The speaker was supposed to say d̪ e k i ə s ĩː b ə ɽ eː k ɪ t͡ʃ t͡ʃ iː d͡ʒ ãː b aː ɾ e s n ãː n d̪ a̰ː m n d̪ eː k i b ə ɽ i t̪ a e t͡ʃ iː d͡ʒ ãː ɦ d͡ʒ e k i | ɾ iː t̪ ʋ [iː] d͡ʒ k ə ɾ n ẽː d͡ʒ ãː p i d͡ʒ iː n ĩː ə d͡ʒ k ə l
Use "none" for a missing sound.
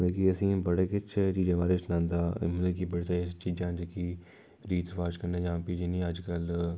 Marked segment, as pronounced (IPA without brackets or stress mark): aː